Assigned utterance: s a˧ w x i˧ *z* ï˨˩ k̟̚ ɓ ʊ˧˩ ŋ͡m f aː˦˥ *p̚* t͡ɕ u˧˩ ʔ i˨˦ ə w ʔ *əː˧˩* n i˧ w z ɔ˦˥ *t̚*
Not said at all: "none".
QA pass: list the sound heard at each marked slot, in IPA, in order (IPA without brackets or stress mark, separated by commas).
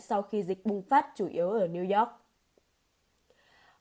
z, t̚, əː˧˩, k̚